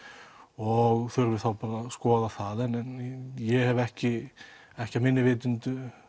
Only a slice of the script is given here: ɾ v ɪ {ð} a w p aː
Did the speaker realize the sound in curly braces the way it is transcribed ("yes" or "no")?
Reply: no